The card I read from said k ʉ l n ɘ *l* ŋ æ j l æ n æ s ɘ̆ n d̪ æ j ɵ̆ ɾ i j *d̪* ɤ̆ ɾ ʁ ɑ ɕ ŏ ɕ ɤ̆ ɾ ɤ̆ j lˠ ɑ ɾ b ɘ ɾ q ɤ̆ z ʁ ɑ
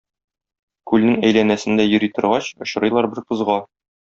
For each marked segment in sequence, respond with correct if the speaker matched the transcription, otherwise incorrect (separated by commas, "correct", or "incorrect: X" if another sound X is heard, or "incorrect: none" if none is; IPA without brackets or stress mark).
incorrect: none, incorrect: t̪